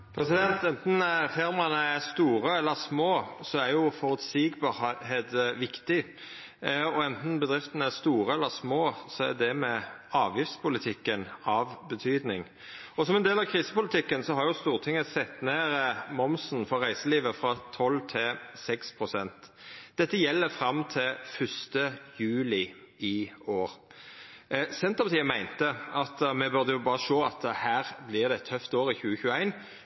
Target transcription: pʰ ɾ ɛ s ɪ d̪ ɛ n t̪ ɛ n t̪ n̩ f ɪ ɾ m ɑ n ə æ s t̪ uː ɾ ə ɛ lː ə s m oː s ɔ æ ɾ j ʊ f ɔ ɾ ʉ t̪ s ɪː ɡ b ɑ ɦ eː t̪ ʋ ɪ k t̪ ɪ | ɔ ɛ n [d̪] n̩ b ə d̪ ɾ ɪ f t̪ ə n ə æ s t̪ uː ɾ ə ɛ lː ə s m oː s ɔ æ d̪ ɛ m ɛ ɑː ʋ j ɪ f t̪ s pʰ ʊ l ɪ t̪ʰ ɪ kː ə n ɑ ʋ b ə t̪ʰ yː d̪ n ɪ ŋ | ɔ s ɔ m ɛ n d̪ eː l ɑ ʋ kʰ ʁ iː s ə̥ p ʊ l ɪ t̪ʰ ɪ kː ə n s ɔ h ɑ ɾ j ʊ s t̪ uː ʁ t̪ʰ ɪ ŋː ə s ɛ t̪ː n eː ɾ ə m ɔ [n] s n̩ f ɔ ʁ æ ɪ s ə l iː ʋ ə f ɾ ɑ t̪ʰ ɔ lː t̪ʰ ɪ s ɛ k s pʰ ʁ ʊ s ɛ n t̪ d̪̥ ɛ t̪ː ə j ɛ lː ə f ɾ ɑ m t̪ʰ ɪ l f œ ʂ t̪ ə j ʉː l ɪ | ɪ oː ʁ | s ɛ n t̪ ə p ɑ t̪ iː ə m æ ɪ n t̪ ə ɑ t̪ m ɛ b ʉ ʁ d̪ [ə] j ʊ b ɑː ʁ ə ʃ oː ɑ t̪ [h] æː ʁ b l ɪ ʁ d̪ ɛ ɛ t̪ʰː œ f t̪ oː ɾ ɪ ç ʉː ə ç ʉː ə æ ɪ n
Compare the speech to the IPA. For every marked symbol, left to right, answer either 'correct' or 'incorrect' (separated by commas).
incorrect, incorrect, correct, correct